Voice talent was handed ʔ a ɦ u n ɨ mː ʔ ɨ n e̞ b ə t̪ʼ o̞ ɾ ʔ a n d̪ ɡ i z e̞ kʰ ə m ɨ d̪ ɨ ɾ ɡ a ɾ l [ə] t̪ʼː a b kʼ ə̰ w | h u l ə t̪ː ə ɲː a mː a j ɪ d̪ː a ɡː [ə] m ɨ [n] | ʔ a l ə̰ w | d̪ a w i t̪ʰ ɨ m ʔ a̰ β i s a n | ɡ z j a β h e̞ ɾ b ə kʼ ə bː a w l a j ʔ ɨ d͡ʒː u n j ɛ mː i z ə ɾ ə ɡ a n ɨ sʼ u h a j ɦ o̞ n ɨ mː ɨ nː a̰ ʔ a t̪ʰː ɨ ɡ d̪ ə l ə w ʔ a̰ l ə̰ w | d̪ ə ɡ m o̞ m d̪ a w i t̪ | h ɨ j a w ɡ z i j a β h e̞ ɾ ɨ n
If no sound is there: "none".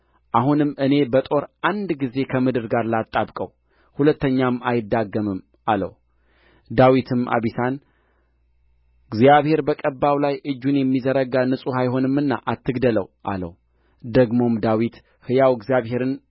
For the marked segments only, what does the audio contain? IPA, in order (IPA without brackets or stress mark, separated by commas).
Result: a, ə, m